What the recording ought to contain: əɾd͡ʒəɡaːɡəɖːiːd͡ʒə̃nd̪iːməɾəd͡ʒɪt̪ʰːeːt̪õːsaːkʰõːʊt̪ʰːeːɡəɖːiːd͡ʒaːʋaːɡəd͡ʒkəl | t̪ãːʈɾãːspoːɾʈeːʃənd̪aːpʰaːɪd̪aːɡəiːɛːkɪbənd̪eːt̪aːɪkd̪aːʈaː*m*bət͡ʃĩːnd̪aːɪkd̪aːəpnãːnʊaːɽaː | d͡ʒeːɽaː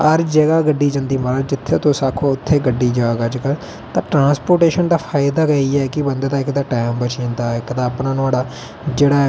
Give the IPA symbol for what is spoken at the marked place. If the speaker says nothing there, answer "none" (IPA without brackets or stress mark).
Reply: m